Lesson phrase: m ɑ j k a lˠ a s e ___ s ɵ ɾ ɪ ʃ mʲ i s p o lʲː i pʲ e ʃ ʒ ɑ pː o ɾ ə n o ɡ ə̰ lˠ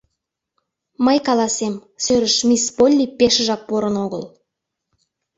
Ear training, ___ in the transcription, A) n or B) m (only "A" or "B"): B